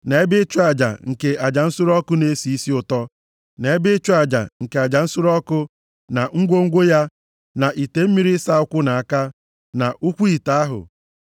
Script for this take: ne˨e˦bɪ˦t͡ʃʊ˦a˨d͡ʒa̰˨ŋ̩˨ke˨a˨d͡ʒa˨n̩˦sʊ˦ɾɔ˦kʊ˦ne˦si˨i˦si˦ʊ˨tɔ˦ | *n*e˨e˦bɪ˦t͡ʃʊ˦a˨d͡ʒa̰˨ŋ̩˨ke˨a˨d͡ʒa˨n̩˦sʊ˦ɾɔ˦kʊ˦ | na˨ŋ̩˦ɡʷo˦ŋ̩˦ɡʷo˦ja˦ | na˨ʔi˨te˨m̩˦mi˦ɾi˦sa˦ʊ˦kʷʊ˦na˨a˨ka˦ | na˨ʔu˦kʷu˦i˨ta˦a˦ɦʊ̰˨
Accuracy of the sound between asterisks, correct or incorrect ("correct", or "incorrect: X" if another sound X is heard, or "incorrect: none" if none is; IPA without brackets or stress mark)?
correct